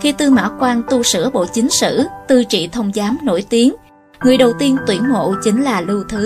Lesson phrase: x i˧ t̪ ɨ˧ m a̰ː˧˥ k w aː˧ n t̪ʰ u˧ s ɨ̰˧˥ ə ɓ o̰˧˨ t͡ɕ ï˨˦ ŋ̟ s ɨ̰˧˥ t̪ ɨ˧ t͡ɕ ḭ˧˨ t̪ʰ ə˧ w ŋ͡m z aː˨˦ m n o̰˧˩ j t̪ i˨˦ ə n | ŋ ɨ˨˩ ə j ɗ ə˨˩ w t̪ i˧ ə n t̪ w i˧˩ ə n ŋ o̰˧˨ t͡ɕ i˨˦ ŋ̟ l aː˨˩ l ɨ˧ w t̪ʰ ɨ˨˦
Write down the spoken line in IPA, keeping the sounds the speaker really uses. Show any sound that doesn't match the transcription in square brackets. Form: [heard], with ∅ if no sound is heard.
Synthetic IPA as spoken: x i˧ t̪ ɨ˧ m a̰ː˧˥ k w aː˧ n [t̪] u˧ s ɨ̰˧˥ ə ɓ o̰˧˨ t͡ɕ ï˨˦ ŋ̟ s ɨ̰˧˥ t̪ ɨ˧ t͡ɕ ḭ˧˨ t̪ʰ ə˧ w ŋ͡m z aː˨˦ m n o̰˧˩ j t̪ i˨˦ ə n | ŋ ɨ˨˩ ə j ɗ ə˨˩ w t̪ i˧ ə n t̪ w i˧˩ ə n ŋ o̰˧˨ t͡ɕ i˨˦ ŋ̟ l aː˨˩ l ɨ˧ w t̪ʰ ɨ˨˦